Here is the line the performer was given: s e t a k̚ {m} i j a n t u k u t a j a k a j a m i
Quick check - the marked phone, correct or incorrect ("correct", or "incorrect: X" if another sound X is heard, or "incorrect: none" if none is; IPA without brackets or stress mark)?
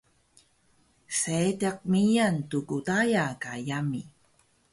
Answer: correct